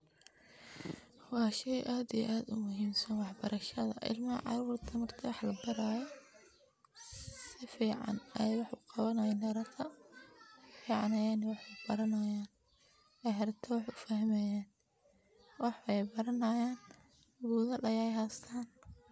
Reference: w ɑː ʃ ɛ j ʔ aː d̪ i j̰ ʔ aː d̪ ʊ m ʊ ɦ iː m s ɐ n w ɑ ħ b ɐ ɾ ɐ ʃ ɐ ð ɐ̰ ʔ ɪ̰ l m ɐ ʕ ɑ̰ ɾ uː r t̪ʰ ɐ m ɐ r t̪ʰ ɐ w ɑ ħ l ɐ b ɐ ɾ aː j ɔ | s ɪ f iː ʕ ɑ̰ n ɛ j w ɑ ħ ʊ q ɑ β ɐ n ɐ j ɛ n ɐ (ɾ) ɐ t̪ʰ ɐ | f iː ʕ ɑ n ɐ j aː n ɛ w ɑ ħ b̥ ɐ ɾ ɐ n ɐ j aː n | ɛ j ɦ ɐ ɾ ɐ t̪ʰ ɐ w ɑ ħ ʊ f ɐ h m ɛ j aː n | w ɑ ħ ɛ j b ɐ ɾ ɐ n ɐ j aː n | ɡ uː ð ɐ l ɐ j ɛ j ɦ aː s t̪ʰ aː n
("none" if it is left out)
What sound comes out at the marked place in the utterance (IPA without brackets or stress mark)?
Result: ɾ